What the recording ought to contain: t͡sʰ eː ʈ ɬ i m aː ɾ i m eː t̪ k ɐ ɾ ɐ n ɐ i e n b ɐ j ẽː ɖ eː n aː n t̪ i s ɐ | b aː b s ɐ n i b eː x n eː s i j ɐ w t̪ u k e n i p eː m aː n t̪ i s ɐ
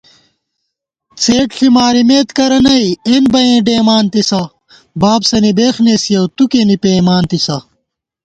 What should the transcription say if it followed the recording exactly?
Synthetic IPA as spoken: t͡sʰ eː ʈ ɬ i m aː ɾ i m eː t̪ k ɐ ɾ ɐ n ɐ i e n b ɐ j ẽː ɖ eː m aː n t̪ i s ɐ | b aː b s ɐ n i b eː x n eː s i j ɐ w t̪ u k e n i p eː m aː n t̪ i s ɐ